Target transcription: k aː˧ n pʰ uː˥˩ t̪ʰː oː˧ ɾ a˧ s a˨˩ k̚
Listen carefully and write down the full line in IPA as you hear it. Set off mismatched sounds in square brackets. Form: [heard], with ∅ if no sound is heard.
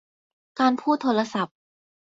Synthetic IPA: k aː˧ n pʰ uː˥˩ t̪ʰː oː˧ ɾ a˧ s a˨˩ [p̚]